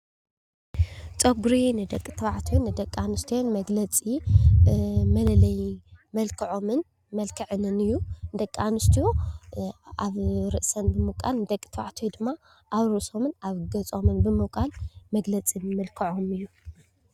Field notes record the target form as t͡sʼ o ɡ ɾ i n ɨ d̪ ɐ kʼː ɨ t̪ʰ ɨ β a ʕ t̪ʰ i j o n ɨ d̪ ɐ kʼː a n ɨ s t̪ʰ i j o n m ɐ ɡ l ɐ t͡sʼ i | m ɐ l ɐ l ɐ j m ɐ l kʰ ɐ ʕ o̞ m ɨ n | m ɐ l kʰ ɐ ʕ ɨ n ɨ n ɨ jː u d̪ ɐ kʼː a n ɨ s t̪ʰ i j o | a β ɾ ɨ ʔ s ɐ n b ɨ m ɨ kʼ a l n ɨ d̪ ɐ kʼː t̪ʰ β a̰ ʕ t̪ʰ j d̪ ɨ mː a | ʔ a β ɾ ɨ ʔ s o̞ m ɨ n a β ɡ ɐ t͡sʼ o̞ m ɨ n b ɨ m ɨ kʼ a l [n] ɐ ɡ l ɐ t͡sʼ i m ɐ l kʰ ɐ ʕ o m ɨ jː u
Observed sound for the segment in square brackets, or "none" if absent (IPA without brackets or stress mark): m